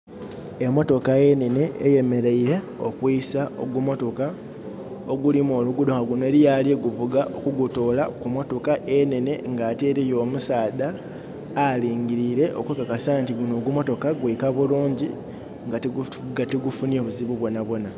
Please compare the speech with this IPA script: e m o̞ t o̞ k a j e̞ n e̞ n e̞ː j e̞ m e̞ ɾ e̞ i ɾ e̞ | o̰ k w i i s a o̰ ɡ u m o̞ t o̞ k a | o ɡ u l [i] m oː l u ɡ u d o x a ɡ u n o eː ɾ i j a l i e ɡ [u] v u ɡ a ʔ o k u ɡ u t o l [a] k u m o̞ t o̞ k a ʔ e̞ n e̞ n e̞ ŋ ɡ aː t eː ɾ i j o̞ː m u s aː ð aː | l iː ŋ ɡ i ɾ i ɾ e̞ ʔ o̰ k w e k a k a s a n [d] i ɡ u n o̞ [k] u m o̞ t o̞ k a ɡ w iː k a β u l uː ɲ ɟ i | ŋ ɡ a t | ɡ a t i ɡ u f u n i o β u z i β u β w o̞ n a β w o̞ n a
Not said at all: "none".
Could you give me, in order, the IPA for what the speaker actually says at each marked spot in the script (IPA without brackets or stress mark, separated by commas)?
i, u, a, t, ɡ